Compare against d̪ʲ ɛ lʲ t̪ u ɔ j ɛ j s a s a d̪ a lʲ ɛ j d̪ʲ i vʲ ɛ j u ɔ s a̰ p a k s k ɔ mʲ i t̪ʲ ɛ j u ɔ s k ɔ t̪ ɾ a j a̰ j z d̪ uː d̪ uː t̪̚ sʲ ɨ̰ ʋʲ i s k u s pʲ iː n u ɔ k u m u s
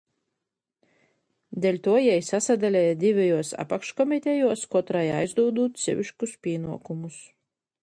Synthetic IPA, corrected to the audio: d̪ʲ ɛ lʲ t̪ u ɔ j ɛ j s a s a d̪ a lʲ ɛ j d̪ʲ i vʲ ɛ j u ɔ s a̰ p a k ʃ k ɔ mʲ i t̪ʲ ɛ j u ɔ s k ɔ t̪ ɾ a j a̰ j z d̪ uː d̪ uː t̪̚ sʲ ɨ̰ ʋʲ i ʃ k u s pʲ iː n u ɔ k u m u s